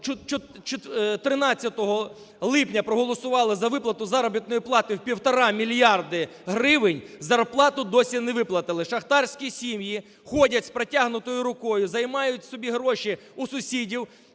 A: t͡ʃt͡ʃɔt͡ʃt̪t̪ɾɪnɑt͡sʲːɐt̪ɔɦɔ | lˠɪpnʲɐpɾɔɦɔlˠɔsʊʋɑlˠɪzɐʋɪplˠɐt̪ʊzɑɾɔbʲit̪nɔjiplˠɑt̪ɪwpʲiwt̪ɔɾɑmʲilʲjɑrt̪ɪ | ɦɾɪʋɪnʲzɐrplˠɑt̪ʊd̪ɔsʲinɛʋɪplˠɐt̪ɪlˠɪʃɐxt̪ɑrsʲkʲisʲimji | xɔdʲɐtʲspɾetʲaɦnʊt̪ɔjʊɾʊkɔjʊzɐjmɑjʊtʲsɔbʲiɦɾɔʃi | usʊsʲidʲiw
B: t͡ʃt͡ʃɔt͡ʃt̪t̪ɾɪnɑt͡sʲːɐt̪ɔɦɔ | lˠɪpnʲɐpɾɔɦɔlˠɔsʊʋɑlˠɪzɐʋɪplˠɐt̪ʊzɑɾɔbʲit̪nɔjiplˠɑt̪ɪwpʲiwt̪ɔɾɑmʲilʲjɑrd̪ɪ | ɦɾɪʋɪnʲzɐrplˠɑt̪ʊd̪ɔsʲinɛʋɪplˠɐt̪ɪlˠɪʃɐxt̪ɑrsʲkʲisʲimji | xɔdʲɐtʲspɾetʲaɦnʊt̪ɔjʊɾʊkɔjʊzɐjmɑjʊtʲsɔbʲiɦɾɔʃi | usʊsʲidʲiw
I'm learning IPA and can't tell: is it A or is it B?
B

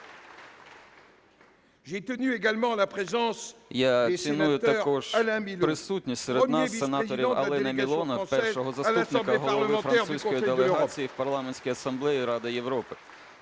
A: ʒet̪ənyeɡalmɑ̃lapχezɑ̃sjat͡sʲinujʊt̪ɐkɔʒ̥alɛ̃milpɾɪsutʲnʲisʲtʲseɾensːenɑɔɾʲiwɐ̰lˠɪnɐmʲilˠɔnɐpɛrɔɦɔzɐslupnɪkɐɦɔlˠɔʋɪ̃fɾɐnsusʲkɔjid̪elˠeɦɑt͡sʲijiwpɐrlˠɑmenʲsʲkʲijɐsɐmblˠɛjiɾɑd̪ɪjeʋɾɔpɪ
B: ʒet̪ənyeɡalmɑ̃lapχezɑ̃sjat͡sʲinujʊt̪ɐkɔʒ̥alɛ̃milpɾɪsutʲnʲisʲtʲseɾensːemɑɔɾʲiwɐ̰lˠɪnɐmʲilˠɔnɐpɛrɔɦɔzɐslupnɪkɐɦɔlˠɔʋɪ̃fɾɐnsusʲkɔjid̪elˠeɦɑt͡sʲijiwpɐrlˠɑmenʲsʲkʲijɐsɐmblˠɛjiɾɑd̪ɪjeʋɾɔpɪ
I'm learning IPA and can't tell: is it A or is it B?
A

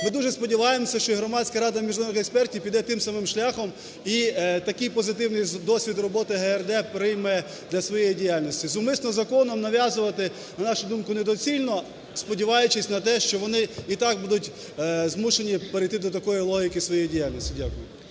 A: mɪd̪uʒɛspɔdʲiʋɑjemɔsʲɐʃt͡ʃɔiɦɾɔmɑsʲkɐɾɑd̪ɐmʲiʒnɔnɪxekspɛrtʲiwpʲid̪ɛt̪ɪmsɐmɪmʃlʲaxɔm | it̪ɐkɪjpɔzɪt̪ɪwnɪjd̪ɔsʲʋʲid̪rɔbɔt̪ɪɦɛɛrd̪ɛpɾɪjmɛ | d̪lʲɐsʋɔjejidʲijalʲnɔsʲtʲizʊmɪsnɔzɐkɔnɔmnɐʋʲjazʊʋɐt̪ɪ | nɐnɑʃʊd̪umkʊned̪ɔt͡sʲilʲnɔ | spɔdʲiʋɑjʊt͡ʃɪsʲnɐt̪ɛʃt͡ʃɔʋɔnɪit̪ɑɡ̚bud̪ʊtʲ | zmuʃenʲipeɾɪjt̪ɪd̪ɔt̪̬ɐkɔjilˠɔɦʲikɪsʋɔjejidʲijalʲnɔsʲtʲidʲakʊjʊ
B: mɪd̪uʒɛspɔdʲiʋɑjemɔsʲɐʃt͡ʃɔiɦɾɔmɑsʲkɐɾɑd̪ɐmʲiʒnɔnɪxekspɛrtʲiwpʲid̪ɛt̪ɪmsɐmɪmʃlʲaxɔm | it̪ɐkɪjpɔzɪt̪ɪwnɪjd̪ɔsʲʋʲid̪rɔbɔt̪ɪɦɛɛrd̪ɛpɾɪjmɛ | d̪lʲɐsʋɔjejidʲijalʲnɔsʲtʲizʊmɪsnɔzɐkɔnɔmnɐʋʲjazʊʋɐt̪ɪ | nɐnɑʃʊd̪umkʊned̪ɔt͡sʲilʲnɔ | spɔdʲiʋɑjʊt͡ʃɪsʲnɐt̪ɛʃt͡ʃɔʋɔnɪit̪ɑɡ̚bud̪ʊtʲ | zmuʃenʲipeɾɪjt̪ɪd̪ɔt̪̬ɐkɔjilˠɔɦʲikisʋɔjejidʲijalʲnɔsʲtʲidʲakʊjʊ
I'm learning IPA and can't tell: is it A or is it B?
A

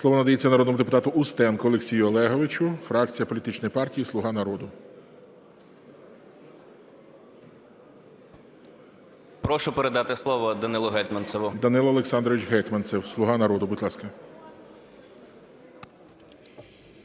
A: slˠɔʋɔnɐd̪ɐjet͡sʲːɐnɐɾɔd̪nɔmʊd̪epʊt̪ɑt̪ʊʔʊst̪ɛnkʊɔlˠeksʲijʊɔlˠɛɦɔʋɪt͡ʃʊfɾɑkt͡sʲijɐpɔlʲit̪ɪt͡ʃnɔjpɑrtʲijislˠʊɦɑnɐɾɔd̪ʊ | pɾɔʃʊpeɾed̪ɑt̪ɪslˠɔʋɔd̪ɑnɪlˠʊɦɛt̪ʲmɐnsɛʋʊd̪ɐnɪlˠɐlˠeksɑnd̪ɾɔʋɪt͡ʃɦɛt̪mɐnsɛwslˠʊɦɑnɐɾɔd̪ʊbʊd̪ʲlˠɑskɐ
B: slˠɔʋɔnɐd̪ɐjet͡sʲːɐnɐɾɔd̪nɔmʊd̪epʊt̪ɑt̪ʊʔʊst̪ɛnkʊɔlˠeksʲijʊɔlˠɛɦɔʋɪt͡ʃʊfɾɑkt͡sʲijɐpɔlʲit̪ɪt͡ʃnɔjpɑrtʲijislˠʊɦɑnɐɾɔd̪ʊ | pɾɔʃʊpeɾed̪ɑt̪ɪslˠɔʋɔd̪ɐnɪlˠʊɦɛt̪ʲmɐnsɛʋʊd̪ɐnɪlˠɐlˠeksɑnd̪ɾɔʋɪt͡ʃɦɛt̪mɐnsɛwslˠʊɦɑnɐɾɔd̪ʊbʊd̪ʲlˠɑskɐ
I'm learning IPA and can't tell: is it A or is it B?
B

